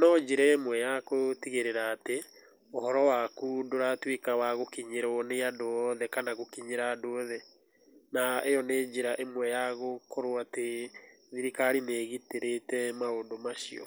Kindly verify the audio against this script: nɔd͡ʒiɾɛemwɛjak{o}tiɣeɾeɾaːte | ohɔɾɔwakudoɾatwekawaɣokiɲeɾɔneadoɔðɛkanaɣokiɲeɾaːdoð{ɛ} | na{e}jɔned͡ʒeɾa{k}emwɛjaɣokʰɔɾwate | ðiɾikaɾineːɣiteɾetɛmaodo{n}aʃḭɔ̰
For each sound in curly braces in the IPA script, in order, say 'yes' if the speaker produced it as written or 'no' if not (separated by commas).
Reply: yes, yes, yes, no, no